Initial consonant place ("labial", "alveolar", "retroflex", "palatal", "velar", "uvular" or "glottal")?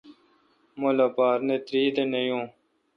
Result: labial